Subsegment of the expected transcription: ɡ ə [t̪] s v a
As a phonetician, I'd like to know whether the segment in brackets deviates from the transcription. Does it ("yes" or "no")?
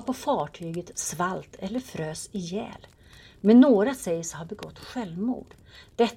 no